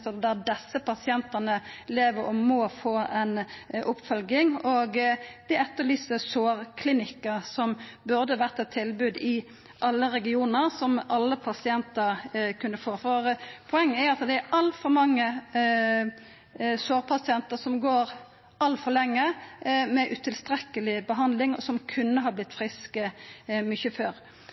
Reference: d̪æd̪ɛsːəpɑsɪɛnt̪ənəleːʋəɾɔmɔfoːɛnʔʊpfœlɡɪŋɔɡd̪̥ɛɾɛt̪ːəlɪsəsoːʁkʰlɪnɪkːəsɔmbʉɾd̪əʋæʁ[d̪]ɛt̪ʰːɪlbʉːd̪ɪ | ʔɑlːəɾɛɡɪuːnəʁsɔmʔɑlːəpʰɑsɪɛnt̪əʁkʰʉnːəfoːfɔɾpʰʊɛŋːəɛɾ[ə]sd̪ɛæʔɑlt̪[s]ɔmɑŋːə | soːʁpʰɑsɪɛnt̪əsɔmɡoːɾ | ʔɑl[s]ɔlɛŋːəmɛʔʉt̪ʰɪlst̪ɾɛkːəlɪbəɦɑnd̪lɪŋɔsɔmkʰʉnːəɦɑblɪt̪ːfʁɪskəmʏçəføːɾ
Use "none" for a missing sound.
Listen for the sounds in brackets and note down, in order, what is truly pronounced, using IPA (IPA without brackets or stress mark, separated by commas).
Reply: t̪, ɑ, f, f